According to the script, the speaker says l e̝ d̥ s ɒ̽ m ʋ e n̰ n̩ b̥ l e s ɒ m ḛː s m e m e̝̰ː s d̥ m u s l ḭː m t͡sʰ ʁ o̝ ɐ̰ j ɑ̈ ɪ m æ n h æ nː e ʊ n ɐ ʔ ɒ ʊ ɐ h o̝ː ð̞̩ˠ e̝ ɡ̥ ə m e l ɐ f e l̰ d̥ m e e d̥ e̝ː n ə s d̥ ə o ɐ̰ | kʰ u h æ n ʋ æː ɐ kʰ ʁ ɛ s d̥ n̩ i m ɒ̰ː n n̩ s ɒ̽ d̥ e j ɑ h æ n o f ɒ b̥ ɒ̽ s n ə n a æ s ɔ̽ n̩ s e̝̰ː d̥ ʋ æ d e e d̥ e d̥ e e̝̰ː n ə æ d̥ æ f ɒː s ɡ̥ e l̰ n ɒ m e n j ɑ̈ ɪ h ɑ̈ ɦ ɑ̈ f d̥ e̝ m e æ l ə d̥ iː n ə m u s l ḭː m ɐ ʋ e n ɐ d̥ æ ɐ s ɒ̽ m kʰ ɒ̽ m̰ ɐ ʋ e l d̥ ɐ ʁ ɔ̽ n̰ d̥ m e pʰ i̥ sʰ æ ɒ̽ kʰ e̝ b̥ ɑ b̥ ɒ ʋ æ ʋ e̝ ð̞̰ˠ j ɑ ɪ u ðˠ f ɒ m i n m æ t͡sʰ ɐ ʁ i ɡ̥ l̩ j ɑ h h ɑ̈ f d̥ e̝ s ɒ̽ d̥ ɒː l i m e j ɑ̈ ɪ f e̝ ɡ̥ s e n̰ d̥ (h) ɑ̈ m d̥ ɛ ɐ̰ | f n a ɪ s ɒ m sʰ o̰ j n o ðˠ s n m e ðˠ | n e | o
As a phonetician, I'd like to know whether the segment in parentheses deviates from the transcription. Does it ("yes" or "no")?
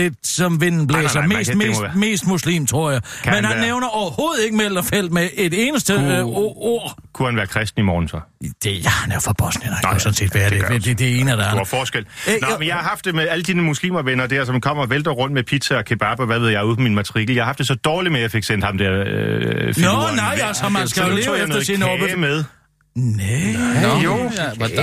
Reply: no